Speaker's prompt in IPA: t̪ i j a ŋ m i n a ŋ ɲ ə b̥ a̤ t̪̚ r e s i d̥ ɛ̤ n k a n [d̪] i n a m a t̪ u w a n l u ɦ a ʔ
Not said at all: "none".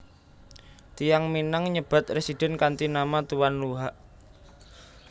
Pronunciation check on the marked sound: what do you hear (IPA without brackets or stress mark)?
t̪